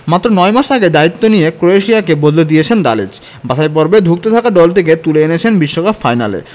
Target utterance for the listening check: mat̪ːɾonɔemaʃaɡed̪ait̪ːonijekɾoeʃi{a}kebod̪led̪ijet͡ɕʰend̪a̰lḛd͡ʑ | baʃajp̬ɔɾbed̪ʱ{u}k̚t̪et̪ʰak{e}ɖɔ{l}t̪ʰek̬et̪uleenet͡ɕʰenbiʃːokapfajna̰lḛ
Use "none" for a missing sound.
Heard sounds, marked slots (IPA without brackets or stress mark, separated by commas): a, u, a, l